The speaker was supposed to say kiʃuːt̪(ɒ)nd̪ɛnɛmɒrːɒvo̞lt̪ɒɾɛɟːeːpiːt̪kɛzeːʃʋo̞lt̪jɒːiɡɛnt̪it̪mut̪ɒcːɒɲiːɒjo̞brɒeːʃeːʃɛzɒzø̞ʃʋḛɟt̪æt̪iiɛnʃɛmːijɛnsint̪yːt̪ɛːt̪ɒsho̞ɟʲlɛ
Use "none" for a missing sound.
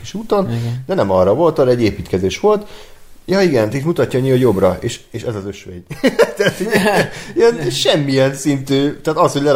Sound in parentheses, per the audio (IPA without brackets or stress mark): o